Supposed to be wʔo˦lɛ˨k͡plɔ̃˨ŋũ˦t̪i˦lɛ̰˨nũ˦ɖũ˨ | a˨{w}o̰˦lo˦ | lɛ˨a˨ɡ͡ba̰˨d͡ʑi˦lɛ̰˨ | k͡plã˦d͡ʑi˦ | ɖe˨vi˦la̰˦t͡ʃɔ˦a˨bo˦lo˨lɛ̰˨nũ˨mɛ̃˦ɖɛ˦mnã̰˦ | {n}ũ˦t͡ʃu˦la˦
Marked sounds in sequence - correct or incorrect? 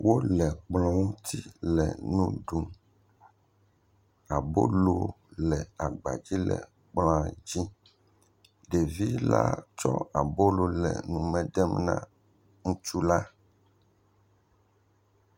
incorrect, incorrect

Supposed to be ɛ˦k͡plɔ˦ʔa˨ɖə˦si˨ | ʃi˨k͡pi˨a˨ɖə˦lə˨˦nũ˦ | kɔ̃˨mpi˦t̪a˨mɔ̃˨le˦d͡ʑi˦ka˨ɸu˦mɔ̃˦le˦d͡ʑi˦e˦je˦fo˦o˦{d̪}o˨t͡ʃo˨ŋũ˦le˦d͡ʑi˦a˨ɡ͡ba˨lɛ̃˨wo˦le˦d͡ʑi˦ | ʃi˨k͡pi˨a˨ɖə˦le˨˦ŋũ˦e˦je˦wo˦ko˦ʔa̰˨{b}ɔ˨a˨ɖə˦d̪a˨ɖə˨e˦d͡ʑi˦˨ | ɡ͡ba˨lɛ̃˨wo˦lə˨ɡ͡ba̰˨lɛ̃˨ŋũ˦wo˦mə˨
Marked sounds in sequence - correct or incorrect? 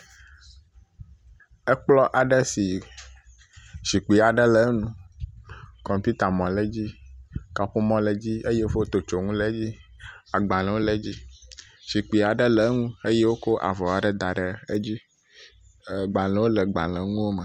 incorrect, incorrect

